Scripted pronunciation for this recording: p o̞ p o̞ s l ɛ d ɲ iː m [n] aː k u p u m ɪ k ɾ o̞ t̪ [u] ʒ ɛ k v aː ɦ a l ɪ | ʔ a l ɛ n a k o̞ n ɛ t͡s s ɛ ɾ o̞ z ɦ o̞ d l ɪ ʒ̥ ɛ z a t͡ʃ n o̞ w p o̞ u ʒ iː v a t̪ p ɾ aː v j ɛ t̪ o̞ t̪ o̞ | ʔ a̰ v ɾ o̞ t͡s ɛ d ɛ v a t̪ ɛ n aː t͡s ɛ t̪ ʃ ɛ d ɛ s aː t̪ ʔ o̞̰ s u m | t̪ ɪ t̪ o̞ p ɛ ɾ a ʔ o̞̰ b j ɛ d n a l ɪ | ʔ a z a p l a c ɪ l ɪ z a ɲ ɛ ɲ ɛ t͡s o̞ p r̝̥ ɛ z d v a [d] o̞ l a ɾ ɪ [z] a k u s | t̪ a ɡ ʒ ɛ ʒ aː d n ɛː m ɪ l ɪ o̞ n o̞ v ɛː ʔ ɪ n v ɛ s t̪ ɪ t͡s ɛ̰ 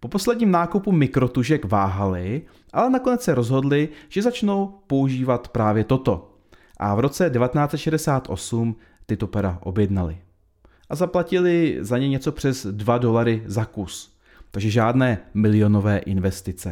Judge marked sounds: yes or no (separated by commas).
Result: yes, yes, yes, yes